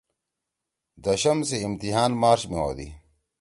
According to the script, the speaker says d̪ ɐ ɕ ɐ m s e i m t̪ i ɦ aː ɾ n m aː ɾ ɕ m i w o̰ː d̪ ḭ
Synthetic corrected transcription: d̪ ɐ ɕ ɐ m s e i m t̪ i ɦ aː n m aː ɾ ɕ m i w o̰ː d̪ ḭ